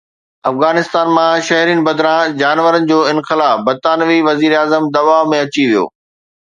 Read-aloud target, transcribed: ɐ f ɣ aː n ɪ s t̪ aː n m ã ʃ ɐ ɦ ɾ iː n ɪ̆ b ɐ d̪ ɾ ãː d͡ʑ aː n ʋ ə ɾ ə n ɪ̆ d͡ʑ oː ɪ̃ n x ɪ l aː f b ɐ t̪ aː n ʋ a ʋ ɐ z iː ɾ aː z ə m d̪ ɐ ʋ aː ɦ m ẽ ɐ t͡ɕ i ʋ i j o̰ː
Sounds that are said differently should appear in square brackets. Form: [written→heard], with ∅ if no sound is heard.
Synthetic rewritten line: ɐ f ɣ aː n ɪ s t̪ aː n m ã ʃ ɐ ɦ ɾ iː n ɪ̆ b ɐ d̪ ɾ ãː d͡ʑ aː n ʋ ə ɾ ə n ɪ̆ d͡ʑ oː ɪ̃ n x ɪ l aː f b ɐ t̪ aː n ʋ [a→i] ʋ ɐ z iː ɾ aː z ə m d̪ ɐ ʋ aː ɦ m ẽ ɐ t͡ɕ i ʋ i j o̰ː